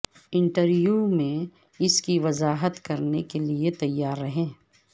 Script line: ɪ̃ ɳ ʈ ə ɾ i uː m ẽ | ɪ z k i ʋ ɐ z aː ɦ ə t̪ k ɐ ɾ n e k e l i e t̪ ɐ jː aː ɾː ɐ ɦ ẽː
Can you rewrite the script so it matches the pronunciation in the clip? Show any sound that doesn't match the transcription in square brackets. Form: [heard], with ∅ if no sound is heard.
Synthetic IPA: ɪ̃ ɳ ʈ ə ɾ [j] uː m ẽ | ɪ [s] k i ʋ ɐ z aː ɦ ə t̪ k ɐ ɾ n e k e l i e t̪ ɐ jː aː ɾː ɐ ɦ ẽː